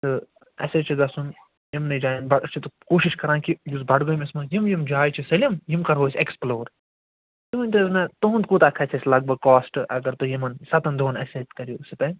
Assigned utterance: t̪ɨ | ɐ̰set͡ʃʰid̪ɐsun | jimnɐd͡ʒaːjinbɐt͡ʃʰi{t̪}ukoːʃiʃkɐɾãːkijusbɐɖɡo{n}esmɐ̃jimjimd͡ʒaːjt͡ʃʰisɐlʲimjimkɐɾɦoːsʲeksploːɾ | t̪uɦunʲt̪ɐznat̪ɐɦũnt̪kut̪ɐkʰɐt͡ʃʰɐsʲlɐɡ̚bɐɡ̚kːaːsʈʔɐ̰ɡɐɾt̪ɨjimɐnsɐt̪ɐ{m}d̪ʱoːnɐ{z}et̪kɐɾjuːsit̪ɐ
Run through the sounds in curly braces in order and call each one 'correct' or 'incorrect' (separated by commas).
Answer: correct, incorrect, incorrect, incorrect